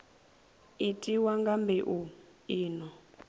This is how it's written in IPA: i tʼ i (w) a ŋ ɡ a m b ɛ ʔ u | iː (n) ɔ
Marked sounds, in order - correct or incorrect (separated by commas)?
correct, correct